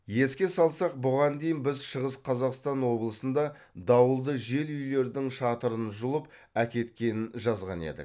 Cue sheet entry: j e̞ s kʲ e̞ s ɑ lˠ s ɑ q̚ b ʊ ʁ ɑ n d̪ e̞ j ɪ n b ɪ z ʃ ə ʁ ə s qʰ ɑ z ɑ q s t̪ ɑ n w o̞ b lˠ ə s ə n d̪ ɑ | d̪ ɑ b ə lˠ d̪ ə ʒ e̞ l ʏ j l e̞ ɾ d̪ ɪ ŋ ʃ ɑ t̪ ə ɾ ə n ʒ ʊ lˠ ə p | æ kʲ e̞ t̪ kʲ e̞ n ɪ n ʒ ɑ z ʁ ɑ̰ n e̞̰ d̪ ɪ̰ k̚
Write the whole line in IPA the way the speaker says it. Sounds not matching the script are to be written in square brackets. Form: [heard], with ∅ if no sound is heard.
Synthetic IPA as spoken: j e̞ s kʲ e̞ s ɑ lˠ s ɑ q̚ b ʊ ʁ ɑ n d̪ e̞ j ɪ n b ɪ z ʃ ə ʁ ə s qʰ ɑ z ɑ q s t̪ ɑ n w o̞ b lˠ ə s ə n d̪ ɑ | d̪ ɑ [w] ə lˠ d̪ ə ʒ e̞ l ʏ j l e̞ ɾ d̪ ɪ ŋ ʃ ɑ t̪ ə ɾ ə n ʒ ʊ lˠ ə p | æ kʲ e̞ t̪ kʲ e̞ n ɪ n ʒ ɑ z ʁ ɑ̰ n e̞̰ d̪ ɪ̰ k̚